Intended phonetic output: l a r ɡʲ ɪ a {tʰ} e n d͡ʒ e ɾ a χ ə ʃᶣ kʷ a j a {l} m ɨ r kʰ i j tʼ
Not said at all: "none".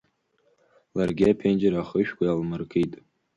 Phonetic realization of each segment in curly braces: pʰ, l

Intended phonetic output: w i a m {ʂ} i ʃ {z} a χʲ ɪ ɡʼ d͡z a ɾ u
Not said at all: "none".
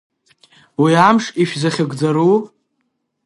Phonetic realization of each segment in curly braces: ʂ, z

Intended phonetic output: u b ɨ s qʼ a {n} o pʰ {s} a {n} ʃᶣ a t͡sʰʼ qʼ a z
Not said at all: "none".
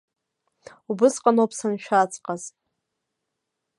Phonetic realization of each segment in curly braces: n, s, n

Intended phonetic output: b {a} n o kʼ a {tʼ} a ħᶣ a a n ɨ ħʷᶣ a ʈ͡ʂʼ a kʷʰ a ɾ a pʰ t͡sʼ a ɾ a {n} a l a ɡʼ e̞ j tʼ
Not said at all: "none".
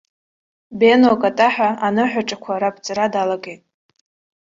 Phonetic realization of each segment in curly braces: e, tʼ, d

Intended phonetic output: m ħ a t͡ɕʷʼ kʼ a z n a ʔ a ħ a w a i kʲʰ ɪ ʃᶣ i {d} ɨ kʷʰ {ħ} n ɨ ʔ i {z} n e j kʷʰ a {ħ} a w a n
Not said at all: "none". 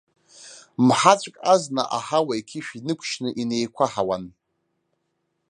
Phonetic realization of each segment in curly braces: n, ʃ, none, ħ

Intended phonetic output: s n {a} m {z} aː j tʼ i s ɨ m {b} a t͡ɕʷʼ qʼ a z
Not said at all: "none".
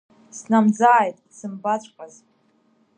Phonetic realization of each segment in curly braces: a, d͡z, b

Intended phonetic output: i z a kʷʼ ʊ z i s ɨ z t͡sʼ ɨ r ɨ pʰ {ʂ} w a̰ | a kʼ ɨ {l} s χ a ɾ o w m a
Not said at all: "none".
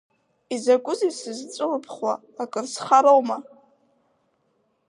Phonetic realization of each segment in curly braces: χ, r

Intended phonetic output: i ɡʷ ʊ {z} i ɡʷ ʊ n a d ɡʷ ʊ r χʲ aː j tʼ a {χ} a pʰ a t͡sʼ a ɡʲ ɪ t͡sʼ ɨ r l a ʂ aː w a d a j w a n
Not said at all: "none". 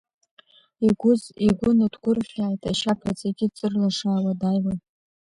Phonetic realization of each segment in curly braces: z, ʃ

